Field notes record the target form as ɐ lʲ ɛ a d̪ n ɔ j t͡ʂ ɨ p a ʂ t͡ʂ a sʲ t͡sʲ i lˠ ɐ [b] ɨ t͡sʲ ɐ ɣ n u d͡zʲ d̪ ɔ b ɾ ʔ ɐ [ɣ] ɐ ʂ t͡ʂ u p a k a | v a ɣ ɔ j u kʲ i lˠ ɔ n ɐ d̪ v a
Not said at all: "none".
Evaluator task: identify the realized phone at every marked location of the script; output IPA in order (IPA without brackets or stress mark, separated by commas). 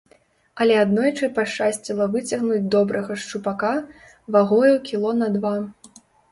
v, ɣ